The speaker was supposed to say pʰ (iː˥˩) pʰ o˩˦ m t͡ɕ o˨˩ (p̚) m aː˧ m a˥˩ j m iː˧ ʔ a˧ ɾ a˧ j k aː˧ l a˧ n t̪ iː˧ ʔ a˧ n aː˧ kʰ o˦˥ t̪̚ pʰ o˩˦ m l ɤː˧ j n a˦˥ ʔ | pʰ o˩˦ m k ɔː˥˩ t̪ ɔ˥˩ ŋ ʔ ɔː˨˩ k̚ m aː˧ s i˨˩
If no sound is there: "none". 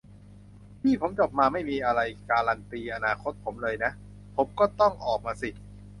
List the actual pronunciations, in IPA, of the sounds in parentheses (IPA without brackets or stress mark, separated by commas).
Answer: iː˥˩, p̚